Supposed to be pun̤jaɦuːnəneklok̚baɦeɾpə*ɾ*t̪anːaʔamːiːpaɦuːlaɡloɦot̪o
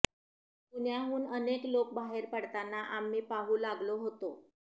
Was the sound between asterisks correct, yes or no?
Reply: no